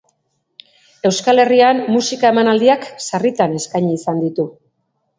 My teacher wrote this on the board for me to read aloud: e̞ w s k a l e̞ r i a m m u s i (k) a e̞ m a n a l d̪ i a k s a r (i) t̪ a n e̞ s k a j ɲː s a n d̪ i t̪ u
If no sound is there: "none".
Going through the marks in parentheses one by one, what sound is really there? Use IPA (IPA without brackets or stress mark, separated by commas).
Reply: k, i